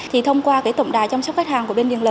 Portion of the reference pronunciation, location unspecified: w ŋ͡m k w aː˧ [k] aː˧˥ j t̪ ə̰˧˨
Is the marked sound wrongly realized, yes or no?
no